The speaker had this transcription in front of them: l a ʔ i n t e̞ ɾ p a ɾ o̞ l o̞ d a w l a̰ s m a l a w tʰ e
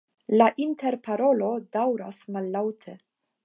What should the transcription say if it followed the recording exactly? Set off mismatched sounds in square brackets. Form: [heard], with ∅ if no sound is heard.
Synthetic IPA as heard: l a ʔ i n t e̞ ɾ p a ɾ o̞ l o̞ d a w [ɾ] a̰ s m a [lː] a w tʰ e